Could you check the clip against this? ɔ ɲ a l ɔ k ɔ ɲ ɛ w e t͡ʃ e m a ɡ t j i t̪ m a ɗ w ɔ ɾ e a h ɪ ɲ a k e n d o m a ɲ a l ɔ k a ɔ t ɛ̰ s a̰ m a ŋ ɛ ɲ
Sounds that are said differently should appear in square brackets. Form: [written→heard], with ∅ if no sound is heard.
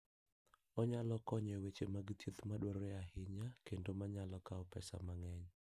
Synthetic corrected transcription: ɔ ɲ a l ɔ k ɔ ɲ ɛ w e t͡ʃ e m a ɡ t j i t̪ m a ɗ w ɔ ɾ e a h ɪ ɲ a k e n d o m a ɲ a l ɔ k a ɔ [t→p] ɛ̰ s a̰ m a ŋ ɛ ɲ